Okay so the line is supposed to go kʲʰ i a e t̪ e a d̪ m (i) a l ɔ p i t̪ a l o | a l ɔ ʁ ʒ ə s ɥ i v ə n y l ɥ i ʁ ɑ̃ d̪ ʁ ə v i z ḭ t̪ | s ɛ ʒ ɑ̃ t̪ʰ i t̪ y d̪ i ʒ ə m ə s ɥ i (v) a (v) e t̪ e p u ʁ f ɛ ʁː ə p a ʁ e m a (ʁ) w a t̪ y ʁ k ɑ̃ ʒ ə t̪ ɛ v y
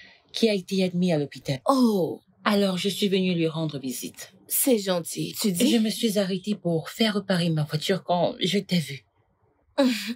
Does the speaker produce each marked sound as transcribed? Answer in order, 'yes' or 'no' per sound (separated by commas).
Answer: yes, no, no, no